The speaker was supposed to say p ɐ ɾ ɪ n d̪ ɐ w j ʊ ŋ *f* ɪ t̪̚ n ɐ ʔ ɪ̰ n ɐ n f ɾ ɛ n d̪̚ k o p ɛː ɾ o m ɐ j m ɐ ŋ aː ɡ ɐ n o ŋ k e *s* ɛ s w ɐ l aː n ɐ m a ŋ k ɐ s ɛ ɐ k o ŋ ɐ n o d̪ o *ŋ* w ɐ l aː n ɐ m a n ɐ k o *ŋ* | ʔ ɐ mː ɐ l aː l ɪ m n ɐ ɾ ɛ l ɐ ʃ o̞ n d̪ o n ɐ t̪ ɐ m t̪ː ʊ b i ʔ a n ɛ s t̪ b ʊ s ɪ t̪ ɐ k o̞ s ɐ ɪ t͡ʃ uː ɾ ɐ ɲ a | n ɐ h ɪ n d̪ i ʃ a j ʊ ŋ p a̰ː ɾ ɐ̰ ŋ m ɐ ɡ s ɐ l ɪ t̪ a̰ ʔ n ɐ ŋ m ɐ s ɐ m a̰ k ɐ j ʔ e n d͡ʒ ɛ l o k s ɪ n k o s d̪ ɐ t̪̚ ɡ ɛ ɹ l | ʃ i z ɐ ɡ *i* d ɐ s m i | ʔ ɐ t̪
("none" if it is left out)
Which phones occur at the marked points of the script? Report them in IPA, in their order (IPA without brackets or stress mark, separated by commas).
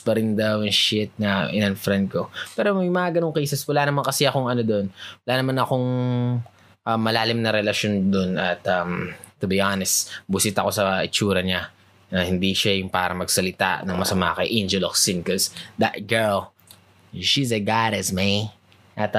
ʃ, s, n, ŋ, a